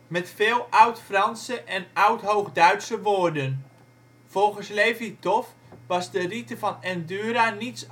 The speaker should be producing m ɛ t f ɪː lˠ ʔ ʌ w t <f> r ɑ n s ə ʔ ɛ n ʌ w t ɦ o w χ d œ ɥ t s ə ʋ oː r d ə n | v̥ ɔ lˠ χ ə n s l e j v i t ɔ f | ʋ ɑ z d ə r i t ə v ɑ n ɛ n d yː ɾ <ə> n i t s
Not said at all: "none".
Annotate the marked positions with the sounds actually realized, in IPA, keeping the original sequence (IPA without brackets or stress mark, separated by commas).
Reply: f, a